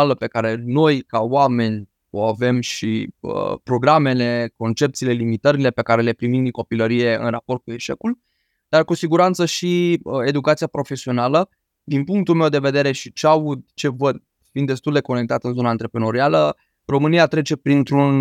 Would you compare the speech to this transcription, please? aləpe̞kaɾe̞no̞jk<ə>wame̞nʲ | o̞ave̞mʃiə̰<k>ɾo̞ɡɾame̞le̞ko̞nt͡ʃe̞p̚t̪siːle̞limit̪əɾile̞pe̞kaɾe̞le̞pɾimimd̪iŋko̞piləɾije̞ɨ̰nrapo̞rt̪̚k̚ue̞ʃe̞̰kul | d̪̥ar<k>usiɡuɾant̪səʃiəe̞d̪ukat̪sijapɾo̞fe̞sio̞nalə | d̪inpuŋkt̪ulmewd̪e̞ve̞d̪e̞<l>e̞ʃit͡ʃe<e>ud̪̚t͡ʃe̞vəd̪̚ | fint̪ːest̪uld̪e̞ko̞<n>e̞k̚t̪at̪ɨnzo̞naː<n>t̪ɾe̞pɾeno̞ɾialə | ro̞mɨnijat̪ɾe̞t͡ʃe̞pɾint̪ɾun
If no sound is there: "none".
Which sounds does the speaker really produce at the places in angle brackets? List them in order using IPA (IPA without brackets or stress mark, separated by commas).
a, p, k, ɾ, a, n, n